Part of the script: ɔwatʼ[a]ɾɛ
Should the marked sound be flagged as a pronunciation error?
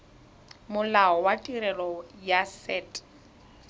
yes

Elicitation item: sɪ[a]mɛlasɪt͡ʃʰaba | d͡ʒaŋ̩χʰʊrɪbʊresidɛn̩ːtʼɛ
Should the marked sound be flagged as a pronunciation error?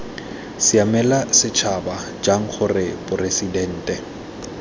no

